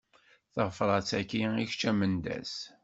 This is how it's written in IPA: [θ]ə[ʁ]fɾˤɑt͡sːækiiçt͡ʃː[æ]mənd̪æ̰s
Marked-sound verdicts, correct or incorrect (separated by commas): correct, correct, correct